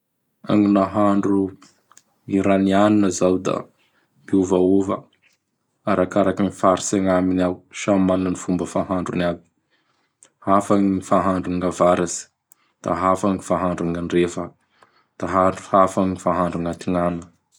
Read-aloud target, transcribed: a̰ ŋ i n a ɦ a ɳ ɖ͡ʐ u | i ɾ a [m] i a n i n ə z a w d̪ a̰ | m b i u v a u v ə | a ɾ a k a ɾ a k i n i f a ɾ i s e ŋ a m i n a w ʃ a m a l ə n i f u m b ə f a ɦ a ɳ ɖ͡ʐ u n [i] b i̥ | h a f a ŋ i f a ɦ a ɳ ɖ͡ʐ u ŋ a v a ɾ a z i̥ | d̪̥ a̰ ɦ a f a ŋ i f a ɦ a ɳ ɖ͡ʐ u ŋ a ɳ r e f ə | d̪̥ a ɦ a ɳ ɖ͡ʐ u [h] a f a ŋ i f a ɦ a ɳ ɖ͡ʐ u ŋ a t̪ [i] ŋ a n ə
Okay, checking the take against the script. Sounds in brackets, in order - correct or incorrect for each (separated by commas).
incorrect, incorrect, correct, correct